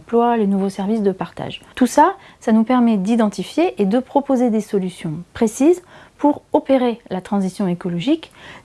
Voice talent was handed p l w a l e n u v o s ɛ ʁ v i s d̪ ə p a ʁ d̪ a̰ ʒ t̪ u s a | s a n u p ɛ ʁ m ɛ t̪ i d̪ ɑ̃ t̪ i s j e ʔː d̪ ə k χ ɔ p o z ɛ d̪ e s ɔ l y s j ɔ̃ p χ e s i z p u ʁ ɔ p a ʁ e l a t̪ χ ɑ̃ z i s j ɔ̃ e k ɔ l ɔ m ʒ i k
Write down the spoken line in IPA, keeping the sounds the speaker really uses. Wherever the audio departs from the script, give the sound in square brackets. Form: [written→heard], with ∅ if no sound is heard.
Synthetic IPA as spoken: p l w a l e n u v o s ɛ ʁ v i s d̪ ə p a ʁ [d̪→t̪] a̰ ʒ t̪ u s a | s a n u p ɛ ʁ m ɛ [t̪→d̪] i d̪ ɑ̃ t̪ i [s→f] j e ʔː d̪ ə [k→p] χ ɔ p o z [ɛ→e] d̪ e s ɔ l y s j ɔ̃ p χ e s i z p u ʁ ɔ p [a→e] ʁ e l a t̪ χ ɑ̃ z i s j ɔ̃ e k ɔ l ɔ [m→∅] ʒ i k